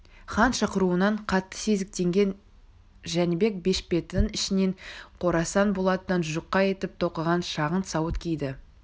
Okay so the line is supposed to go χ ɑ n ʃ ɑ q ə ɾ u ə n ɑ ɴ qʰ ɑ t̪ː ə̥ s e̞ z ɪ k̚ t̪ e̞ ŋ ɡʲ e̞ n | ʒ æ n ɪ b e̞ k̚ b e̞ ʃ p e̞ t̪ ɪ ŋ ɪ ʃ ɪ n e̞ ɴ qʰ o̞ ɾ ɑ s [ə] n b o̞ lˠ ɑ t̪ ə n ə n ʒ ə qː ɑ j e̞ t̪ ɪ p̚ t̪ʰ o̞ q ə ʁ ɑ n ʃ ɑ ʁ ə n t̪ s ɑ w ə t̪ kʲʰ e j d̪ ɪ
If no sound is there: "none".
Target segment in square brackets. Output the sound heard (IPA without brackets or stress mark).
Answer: ɑ